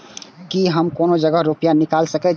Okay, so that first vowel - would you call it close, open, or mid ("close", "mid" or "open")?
close